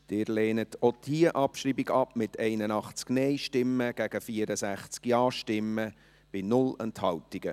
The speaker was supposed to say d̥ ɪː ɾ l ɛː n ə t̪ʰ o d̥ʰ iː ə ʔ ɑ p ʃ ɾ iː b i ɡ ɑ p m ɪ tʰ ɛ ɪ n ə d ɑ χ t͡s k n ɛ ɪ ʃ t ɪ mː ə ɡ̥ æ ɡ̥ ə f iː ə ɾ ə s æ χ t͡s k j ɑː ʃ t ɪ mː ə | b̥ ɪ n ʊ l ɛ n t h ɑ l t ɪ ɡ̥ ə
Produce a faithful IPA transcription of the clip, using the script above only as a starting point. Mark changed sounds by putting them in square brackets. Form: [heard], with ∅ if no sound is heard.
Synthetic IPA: d̥ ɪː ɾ l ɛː n ə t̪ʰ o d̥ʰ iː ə ʔ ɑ p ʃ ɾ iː b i ɡ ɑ p m ɪ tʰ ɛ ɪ n ə [n] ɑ χ t͡s k n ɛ ɪ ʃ t ɪ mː ə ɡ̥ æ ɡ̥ ə f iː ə ɾ ə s æ χ t͡s k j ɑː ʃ t ɪ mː ə | b̥ ɪ n ʊ l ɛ n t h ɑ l t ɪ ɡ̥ ə